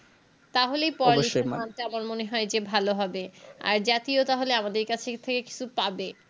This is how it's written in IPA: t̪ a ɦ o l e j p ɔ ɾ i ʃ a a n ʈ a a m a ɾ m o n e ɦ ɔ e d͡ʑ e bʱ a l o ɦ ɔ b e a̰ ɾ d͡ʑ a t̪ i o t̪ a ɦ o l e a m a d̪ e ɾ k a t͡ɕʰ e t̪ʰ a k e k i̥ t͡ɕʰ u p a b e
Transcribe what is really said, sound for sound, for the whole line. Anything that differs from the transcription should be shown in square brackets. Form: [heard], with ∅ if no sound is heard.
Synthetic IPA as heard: t̪ a ɦ o l e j p ɔ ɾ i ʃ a a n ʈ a a m a ɾ m o n e ɦ ɔ e d͡ʑ e bʱ a l o ɦ ɔ b e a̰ ɾ d͡ʑ a t̪ i o t̪ a ɦ o l e a m a d̪ e ɾ k a t͡ɕʰ e t̪ʰ [e] k e k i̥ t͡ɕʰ u p a b e